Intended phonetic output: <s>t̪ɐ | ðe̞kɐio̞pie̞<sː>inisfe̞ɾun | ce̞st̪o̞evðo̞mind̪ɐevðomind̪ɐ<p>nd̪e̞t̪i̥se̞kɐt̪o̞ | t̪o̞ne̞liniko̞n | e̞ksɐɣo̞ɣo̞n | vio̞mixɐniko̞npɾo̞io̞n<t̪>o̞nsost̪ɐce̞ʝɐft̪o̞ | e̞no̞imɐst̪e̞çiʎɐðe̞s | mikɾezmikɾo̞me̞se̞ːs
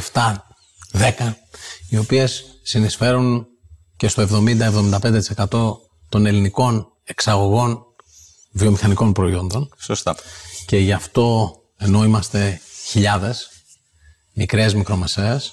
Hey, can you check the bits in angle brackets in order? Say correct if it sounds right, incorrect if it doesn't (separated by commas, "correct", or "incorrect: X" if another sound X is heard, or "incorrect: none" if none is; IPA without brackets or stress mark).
incorrect: f, correct, correct, incorrect: d̪